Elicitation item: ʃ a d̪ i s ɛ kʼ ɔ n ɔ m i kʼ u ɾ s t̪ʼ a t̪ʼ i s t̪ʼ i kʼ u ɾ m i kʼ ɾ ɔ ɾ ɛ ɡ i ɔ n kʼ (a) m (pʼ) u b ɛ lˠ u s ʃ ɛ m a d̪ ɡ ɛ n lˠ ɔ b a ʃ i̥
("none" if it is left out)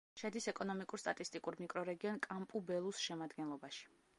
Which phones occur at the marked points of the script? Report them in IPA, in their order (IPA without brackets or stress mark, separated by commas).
a, pʼ